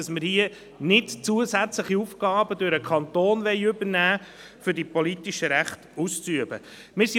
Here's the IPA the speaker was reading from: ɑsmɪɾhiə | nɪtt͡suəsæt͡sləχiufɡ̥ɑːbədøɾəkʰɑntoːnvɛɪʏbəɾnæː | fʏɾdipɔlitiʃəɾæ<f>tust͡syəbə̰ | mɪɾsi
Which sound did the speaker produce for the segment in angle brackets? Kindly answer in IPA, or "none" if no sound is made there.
χ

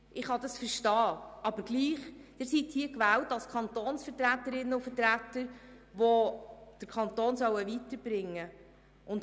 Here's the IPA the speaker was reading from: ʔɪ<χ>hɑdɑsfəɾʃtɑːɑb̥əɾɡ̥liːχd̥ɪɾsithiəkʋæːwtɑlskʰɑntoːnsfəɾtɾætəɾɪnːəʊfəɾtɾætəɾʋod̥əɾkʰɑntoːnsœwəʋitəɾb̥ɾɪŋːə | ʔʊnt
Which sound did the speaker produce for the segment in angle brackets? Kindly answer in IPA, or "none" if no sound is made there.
χ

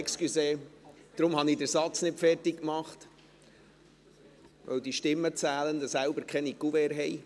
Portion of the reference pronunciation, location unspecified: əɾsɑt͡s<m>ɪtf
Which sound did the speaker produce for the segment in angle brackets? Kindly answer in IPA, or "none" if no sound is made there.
n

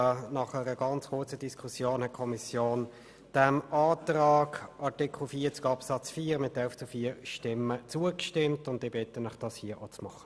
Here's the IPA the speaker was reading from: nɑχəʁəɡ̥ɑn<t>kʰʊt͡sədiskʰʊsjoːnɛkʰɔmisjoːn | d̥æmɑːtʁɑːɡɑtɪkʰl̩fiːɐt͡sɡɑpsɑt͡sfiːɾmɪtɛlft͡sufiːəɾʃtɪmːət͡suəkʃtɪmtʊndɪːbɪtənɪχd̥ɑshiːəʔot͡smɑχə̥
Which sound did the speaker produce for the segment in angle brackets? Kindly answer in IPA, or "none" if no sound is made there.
t͡s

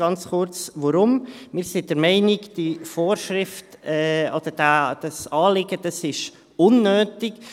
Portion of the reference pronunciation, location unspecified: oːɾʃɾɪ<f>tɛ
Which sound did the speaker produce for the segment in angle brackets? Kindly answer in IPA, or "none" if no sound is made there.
f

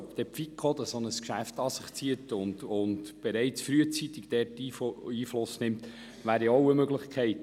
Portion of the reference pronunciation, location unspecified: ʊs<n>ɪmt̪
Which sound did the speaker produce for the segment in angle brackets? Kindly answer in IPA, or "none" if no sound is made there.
n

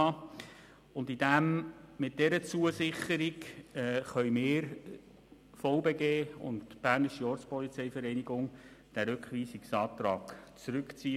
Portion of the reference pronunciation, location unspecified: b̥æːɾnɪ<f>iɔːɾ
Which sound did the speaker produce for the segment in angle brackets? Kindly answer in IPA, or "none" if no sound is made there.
ʃ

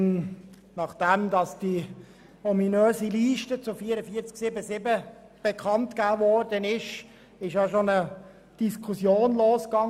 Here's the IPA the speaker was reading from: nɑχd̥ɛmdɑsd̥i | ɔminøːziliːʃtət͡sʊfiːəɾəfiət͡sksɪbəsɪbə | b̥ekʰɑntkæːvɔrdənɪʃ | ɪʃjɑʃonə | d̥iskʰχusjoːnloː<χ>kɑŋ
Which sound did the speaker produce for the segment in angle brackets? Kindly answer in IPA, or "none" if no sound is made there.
s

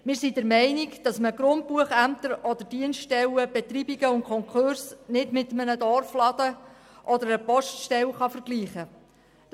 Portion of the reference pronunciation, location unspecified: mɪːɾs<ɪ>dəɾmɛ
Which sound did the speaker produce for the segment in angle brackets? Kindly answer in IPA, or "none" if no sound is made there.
i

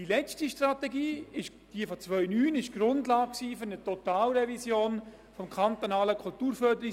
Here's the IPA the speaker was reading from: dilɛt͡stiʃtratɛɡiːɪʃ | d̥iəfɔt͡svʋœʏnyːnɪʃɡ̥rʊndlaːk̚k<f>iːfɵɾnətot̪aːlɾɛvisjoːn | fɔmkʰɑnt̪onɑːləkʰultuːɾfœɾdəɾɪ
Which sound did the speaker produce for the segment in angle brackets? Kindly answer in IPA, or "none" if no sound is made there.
s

